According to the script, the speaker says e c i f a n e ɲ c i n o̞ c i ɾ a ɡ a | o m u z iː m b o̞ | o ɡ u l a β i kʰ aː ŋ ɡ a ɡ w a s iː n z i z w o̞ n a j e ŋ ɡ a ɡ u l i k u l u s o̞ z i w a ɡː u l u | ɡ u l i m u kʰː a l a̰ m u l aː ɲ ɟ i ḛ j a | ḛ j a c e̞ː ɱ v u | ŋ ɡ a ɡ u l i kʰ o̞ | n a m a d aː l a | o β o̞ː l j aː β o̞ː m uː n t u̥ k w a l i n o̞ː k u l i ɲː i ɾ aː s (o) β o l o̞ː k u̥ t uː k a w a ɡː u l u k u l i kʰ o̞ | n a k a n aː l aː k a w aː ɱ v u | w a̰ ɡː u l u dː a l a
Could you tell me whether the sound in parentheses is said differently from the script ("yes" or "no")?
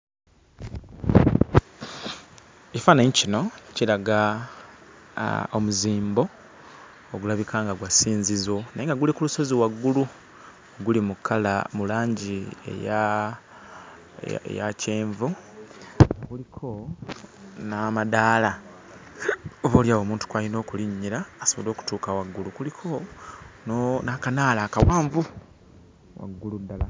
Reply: no